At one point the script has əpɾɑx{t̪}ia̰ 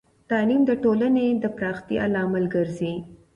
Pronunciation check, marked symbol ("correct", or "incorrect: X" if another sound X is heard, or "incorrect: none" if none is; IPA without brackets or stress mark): correct